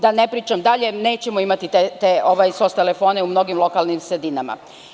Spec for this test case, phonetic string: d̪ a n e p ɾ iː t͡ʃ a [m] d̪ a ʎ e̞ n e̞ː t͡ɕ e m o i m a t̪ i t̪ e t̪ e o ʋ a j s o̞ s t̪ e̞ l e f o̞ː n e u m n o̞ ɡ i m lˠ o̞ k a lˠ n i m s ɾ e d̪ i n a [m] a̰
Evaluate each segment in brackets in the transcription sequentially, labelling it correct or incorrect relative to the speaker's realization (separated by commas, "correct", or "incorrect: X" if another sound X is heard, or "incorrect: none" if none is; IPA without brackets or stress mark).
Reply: correct, correct